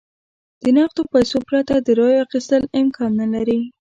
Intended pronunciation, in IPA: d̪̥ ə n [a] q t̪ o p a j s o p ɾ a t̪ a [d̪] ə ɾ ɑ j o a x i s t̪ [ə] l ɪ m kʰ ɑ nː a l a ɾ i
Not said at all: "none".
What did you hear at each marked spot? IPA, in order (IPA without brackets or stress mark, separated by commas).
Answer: ɑ, d̪, ə